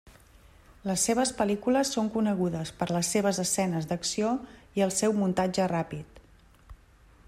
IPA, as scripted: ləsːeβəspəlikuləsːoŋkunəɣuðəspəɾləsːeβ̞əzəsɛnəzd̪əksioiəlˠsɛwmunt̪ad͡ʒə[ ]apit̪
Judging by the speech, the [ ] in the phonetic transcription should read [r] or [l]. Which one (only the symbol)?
r